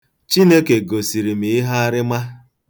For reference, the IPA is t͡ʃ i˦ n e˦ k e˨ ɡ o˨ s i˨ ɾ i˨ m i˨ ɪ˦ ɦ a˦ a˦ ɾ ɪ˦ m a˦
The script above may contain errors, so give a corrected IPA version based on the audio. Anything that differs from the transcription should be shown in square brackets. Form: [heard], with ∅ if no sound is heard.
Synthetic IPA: t͡ʃ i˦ n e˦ k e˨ ɡ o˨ s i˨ ɾ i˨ m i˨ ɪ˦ ɦ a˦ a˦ ɾ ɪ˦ m a˦

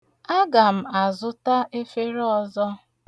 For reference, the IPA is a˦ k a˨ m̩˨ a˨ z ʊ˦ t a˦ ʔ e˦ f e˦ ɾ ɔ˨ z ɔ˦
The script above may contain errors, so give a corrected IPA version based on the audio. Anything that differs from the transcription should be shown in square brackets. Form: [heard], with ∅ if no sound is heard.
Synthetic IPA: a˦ [ɡ] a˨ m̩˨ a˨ z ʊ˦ t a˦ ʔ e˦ f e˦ ɾ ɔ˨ z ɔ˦

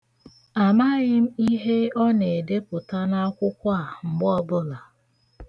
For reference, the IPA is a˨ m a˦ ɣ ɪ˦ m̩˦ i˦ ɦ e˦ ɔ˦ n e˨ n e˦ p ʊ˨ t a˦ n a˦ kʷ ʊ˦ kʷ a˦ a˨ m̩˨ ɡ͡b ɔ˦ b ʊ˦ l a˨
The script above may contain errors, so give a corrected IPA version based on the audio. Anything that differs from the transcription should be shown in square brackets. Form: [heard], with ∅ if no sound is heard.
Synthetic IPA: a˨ m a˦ ɣ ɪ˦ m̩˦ i˦ ɦ e˦ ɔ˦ n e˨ [d] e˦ p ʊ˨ t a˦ n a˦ kʷ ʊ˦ kʷ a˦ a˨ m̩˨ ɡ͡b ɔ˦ b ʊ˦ l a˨

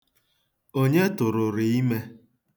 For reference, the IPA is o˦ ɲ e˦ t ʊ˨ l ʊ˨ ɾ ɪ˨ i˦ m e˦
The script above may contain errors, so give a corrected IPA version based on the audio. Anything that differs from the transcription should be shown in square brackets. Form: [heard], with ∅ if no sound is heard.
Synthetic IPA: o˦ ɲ e˦ t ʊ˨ [ɾ] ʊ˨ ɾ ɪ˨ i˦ m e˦

